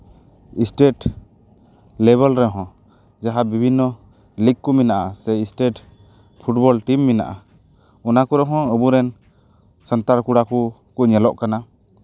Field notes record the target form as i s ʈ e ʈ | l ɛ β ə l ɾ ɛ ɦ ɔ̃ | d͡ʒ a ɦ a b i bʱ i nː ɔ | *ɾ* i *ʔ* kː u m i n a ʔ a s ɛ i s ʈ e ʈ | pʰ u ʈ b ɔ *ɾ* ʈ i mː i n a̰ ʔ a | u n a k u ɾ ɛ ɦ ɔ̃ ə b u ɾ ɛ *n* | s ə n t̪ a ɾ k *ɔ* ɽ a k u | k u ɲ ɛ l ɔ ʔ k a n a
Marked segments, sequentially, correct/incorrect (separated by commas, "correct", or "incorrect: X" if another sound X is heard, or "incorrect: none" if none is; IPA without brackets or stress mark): incorrect: l, incorrect: k, incorrect: l, correct, incorrect: u